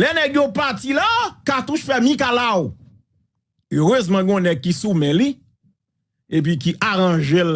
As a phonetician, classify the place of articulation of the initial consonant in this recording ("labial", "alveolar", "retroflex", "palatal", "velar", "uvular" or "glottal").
alveolar